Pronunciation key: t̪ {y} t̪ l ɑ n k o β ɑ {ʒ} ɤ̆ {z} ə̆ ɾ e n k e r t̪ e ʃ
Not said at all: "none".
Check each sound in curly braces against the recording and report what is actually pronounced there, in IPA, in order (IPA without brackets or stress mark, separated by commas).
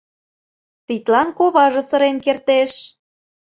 i, ʒ, s